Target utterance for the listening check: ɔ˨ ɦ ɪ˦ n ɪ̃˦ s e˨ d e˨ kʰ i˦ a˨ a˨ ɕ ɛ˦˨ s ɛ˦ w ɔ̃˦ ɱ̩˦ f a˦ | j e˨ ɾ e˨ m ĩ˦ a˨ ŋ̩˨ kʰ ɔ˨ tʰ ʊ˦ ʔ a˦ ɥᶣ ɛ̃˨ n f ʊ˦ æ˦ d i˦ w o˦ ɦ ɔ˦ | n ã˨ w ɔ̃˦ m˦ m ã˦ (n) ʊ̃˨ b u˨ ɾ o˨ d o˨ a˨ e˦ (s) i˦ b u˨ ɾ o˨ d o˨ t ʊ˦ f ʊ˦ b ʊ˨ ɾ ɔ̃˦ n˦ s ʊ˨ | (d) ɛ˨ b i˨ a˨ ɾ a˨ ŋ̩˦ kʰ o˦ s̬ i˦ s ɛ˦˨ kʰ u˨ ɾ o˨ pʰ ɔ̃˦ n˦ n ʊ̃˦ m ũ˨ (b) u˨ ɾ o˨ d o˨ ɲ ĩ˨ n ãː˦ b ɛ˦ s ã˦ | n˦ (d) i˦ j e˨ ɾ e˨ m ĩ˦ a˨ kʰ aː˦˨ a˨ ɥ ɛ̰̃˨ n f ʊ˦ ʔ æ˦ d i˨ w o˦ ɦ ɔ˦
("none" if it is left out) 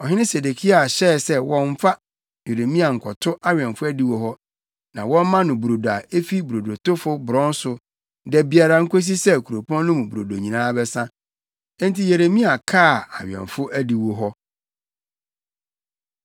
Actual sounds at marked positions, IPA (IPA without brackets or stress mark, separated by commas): n, f, d, b, t